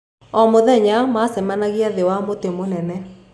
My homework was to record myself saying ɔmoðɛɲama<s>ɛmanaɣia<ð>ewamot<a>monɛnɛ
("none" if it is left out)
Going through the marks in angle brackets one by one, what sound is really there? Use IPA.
s, ð, e

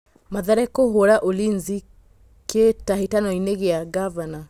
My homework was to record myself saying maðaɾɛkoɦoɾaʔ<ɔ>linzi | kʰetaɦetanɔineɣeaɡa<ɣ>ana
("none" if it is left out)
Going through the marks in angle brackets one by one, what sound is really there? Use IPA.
o, v

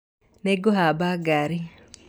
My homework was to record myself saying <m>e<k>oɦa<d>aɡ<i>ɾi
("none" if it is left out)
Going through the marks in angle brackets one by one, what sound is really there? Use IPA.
n, ɡ, b, a

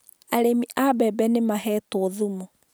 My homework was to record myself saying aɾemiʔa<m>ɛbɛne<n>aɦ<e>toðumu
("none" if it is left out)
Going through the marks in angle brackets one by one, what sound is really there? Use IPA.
b, m, ɛ

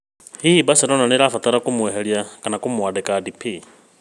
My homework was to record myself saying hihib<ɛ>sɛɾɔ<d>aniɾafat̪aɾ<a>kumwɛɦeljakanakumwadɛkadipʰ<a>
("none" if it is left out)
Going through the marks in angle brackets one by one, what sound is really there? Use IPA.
a, n, a, i

